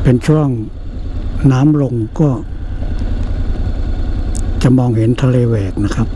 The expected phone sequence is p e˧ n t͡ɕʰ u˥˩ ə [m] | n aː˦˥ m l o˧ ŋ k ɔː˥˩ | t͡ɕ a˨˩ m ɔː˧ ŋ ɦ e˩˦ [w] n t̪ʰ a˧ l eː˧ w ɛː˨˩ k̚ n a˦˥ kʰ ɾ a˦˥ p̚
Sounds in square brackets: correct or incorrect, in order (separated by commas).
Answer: incorrect, incorrect